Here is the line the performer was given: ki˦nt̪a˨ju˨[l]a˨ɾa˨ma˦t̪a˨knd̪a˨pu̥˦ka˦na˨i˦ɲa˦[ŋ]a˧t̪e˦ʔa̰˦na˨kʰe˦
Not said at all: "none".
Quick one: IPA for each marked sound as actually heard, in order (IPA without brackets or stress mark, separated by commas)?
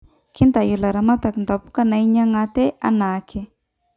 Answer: l, ŋ